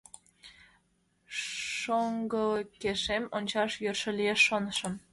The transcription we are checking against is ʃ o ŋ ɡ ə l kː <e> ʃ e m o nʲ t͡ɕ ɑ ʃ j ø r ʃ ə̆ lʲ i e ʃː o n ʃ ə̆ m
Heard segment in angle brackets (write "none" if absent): e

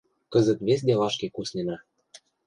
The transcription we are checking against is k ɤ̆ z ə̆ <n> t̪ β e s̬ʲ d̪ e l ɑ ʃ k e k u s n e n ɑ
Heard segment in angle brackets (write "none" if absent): none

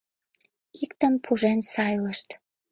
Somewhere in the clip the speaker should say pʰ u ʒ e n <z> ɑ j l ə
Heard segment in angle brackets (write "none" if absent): s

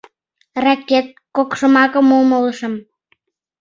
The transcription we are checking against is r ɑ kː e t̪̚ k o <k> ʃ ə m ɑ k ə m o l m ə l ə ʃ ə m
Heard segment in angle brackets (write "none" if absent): k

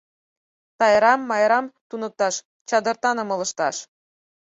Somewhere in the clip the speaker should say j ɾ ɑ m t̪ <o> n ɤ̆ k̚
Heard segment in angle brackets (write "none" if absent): u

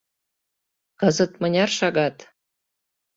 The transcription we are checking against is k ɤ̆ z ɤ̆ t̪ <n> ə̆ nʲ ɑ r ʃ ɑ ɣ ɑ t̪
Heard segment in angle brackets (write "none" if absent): m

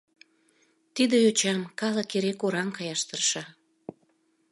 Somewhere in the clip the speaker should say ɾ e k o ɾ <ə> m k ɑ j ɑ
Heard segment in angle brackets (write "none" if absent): ɑ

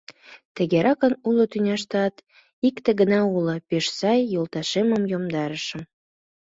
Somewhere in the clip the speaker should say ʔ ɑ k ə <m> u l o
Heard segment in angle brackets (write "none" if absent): n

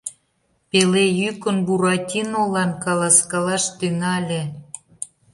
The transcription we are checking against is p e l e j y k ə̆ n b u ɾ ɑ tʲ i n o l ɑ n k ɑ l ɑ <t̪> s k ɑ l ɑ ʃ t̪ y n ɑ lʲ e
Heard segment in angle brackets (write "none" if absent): none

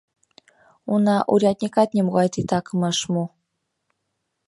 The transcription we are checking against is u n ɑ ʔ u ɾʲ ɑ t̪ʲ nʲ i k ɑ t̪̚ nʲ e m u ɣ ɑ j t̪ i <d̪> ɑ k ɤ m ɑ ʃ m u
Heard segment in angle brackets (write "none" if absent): t̪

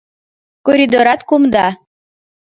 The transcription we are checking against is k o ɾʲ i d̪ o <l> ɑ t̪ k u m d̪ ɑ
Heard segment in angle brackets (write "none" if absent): ɾ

